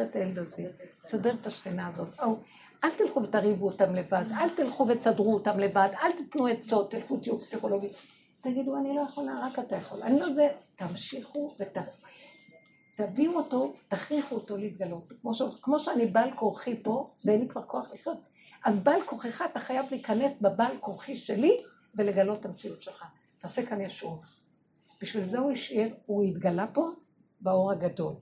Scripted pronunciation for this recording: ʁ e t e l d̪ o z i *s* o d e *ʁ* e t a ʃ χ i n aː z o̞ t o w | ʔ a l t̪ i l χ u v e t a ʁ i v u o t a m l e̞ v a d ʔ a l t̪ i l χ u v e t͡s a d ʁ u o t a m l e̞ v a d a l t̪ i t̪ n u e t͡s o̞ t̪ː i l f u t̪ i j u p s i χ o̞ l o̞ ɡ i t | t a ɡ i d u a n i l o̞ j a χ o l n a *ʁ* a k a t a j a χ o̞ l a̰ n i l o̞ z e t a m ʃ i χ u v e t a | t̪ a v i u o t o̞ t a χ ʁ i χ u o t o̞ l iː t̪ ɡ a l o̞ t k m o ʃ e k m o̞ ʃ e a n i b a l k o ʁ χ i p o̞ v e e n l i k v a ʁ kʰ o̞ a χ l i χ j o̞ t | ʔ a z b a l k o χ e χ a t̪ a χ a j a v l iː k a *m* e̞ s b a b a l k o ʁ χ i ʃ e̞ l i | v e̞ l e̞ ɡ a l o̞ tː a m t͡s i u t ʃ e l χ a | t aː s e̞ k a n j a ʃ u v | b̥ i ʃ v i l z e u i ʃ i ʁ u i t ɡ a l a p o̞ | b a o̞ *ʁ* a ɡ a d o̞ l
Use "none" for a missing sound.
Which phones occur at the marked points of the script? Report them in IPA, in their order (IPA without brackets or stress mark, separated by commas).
s, ʁ, ʁ, n, ʁ